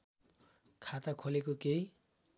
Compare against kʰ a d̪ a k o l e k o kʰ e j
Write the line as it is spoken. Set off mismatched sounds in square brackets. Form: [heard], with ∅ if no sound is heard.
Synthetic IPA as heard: kʰ a [t̪] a [kʰ] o l e k o [k] e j